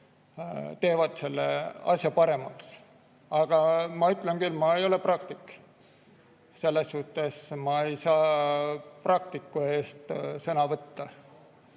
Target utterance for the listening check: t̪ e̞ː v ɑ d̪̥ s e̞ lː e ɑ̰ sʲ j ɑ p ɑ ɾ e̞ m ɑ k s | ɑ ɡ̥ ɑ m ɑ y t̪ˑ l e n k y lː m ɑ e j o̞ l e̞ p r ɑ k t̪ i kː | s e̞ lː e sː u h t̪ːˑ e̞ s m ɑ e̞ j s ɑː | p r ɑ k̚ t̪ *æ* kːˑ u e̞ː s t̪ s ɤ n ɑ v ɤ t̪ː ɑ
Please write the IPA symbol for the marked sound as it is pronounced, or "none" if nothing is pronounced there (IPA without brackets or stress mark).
i